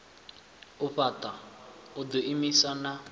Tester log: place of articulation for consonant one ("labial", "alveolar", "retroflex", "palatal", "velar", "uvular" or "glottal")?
labial